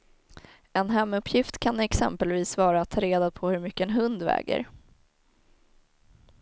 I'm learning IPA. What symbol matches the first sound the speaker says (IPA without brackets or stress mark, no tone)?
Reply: ɛ